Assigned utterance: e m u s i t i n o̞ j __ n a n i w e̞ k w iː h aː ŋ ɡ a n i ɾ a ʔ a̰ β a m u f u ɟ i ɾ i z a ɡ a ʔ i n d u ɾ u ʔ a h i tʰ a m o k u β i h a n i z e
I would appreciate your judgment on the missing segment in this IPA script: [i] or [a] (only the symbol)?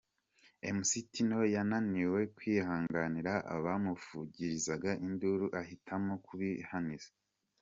a